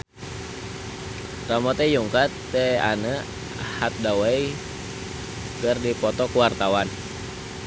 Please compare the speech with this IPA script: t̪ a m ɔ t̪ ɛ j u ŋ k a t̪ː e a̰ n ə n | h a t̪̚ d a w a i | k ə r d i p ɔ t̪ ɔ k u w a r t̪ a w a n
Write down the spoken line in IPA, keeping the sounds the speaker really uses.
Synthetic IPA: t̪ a m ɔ t̪ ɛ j u ŋ k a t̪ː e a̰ n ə | h a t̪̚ d a w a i | k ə r d i p ɔ t̪ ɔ k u w a r t̪ a w a n